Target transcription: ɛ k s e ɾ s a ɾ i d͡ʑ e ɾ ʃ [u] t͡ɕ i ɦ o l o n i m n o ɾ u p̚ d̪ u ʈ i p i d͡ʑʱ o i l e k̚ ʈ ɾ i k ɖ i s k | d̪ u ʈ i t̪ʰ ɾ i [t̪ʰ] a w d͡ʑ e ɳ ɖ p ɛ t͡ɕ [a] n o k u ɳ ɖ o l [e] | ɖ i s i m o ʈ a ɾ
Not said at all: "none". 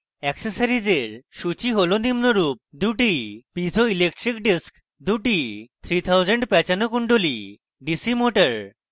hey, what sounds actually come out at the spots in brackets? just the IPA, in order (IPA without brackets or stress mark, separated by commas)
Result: u, t̪ʰ, a, i